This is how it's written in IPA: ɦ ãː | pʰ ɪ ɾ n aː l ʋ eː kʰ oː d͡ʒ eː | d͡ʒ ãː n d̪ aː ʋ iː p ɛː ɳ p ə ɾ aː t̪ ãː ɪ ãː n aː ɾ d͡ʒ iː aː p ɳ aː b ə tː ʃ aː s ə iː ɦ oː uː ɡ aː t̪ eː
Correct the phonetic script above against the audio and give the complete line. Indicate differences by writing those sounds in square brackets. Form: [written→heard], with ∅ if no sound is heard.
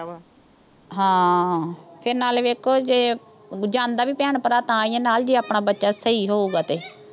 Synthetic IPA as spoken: ɦ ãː | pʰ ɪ ɾ n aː l ʋ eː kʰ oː d͡ʒ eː | d͡ʒ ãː n d̪ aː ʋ iː p ɛː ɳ p ə ɾ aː t̪ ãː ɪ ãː n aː [ɾ→l] d͡ʒ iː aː p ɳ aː b ə tː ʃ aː s ə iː ɦ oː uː ɡ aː t̪ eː